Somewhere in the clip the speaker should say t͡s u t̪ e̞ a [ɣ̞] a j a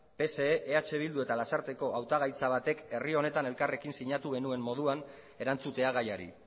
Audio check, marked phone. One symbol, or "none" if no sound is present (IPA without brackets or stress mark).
ɣ̞